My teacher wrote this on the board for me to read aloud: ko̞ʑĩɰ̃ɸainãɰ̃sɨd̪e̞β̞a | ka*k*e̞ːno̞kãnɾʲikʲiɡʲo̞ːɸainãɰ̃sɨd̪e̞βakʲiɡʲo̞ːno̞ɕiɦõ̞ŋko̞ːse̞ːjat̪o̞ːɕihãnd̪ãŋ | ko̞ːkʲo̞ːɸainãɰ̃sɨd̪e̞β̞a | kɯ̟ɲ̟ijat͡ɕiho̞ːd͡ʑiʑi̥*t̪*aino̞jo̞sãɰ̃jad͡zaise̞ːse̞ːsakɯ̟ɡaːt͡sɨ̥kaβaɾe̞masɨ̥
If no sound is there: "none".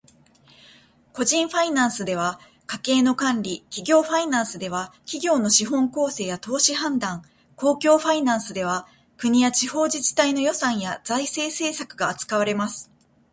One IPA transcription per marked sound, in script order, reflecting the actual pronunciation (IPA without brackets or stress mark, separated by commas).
k, t̪